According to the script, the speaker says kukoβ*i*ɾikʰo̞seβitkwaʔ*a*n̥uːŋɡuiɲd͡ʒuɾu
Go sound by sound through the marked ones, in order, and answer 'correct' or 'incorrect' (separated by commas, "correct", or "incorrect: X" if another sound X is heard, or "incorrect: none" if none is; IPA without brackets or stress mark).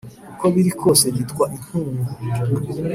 correct, incorrect: i